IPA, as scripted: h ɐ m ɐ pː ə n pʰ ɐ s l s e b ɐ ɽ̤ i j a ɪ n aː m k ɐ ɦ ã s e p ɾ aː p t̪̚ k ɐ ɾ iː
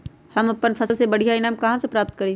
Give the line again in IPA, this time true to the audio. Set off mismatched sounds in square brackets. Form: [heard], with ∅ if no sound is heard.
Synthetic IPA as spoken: h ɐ m ɐ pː ə n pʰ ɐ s l s e b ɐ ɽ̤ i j a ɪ n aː m k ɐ ɦ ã s e p ɾ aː p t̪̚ k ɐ ɾ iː